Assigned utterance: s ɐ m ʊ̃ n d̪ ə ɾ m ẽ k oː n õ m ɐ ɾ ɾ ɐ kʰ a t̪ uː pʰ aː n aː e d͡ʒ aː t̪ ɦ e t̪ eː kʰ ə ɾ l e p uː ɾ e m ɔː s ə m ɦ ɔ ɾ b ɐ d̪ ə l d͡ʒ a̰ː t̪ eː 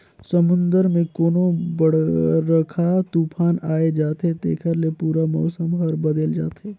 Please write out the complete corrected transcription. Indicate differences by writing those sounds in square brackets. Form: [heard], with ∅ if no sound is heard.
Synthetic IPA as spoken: s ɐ m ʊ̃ n d̪ ə ɾ m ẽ k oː n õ [b] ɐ [ɽ] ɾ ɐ kʰ a t̪ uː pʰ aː n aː e d͡ʒ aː t̪ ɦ e t̪ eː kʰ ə ɾ l e p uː ɾ [a] m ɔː s ə m ɦ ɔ ɾ b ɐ d̪ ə l d͡ʒ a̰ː t̪ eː